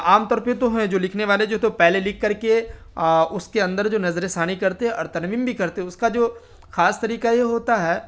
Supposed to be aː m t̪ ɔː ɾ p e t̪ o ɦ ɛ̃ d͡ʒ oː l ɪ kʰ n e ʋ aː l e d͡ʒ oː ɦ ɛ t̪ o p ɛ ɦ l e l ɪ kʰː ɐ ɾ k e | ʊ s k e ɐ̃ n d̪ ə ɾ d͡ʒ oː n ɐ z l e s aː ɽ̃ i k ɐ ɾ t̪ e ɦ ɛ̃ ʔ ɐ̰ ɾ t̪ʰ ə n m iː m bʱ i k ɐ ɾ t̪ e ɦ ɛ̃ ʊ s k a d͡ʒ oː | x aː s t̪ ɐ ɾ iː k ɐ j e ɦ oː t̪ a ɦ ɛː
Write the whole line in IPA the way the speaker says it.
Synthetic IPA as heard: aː m t̪ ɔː ɾ p e t̪ o ɦ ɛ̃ d͡ʒ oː l ɪ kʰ n e ʋ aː l e d͡ʒ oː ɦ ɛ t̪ o p ɛ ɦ l e l ɪ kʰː ɐ ɾ k e | ʊ s k e ɐ̃ n d̪ ə ɾ d͡ʒ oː n ɐ z ɾ e s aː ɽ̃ i k ɐ ɾ t̪ e ɦ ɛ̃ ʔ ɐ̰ ɾ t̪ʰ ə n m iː m bʱ i k ɐ ɾ t̪ e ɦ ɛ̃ ʊ s k a d͡ʒ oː | x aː s t̪ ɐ ɾ iː k a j e ɦ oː t̪ a ɦ ɛː